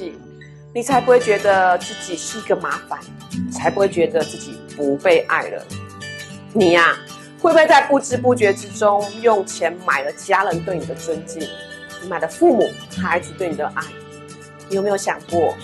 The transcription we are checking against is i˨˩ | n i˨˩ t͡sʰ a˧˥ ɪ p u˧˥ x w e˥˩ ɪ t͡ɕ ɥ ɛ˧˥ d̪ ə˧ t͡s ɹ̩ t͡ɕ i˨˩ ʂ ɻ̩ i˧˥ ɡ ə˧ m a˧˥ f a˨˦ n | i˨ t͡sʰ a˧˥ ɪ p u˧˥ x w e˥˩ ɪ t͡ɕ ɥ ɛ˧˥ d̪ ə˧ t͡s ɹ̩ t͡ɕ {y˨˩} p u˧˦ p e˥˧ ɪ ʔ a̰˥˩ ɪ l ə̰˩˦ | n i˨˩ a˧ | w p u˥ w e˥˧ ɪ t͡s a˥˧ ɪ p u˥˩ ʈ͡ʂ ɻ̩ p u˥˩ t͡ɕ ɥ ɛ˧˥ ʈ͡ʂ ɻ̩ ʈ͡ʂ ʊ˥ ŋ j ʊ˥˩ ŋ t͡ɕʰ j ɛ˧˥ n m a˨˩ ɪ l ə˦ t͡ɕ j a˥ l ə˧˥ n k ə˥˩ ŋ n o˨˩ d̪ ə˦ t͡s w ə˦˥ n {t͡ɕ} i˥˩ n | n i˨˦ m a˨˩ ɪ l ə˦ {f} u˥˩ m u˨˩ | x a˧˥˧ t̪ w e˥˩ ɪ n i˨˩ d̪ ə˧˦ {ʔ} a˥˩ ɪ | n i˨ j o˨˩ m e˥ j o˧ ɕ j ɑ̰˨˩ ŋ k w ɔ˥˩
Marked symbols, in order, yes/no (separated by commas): no, yes, yes, yes